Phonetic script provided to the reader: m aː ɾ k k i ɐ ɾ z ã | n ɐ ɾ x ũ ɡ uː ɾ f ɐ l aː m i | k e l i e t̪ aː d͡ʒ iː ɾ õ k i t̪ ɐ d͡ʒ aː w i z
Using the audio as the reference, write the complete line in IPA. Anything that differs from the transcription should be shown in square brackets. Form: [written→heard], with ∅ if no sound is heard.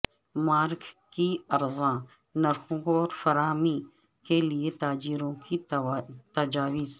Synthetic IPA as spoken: m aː ɾ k k i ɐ ɾ z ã | n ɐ ɾ x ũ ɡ [uː→ɔː] ɾ f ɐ [l→ɾ] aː m i | k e l i e t̪ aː d͡ʒ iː ɾ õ k i t̪ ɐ d͡ʒ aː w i z